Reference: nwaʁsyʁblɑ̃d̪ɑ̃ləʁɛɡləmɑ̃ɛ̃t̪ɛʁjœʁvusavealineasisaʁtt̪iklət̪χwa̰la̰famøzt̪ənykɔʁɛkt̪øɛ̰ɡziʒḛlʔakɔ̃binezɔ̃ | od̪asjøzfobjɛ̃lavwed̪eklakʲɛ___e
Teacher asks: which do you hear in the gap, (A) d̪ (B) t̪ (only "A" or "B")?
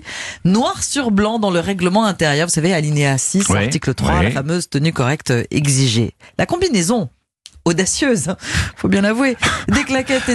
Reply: B